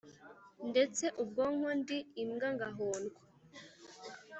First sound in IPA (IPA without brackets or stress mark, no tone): n